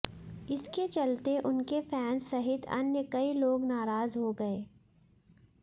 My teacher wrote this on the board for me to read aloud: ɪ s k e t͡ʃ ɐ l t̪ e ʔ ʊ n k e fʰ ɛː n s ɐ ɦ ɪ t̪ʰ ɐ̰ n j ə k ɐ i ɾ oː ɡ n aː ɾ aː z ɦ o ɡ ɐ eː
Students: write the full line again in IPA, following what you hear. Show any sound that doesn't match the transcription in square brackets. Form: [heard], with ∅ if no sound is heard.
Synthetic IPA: ɪ s k e t͡ʃ ɐ l t̪ e ʔ ʊ n k e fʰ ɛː n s ɐ ɦ ɪ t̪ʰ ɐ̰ n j ə k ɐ i [l] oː ɡ n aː ɾ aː z ɦ o ɡ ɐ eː